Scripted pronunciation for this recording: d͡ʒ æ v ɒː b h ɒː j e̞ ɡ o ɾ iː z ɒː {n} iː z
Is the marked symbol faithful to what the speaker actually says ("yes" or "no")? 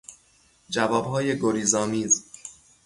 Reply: no